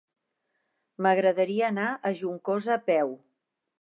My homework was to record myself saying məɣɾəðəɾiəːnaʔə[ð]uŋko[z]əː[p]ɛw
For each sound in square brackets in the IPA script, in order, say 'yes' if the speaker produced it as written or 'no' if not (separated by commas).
no, yes, yes